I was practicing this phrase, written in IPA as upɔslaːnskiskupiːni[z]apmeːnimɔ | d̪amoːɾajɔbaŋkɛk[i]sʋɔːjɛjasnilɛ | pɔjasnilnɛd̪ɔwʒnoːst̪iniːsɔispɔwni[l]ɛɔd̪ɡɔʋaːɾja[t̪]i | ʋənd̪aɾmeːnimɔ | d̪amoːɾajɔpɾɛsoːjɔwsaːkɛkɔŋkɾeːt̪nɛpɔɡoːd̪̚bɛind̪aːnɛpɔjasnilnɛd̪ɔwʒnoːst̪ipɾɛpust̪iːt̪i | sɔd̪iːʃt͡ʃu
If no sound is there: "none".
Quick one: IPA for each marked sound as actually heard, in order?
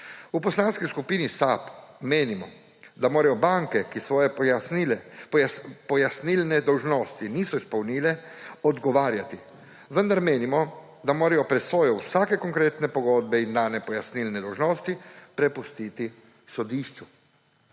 s, i, l, t̪

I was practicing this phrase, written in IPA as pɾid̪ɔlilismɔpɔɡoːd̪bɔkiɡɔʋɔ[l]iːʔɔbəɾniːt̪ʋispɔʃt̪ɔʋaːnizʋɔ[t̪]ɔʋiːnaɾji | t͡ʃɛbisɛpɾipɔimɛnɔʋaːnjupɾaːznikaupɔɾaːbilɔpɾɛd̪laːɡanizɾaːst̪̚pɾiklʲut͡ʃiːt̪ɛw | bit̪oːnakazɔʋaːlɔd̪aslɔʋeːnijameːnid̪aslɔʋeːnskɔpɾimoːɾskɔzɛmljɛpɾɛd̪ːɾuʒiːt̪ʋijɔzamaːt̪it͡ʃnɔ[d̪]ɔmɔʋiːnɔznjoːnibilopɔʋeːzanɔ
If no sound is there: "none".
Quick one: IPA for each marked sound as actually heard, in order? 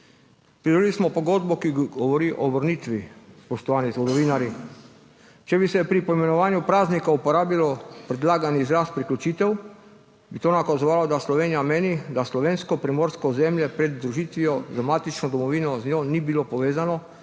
ɾ, d̪, d̪

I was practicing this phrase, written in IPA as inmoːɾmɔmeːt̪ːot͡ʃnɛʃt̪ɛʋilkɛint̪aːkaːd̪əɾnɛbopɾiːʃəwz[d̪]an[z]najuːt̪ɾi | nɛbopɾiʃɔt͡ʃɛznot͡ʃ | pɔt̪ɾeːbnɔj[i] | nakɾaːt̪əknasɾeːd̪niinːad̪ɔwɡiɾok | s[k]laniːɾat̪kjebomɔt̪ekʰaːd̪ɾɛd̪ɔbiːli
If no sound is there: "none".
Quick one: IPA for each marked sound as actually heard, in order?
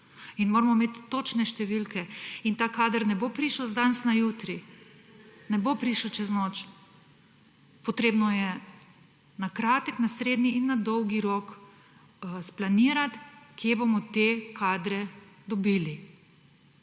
d̪, s, ɛ, p

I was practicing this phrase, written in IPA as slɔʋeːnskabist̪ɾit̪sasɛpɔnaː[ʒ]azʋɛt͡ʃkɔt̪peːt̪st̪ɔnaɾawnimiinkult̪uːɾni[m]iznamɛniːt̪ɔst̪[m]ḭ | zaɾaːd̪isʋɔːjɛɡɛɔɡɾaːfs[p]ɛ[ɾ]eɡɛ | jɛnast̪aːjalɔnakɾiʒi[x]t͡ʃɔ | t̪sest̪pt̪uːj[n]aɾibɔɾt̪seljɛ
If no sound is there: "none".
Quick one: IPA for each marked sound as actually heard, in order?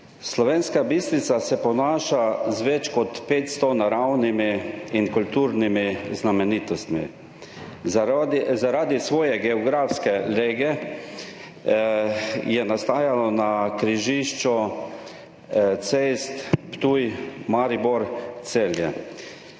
ʃ, m, m, k, l, ʃ, m

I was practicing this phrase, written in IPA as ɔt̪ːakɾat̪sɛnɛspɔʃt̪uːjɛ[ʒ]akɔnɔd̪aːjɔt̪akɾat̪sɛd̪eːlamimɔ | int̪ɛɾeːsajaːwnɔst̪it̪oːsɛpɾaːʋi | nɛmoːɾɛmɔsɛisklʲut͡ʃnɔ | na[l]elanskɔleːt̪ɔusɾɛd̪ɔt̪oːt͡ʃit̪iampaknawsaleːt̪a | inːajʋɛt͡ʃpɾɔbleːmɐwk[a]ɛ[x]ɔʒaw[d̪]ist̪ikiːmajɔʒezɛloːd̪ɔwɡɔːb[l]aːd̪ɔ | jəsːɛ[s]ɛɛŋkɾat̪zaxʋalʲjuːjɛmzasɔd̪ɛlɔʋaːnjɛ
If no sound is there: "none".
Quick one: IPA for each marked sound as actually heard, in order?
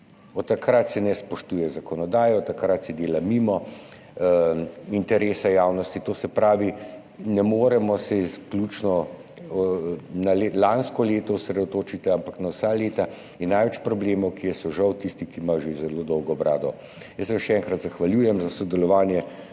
z, l, i, s, t̪, ɾ, ʃ

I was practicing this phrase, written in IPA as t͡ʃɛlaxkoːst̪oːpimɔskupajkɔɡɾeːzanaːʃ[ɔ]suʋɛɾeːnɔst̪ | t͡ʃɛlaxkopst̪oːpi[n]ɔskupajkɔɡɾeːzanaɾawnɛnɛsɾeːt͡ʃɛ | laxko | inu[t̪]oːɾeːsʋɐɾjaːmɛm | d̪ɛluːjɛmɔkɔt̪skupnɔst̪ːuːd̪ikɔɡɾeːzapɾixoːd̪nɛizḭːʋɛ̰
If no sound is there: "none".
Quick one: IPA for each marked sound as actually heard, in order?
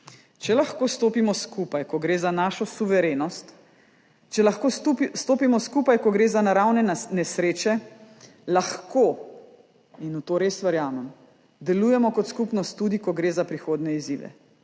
ɔ, m, t̪

